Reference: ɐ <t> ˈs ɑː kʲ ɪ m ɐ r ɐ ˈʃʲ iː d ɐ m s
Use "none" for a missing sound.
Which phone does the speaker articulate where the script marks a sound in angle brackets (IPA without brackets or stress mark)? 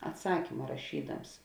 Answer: t